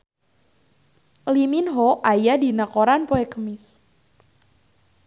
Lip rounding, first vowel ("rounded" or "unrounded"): unrounded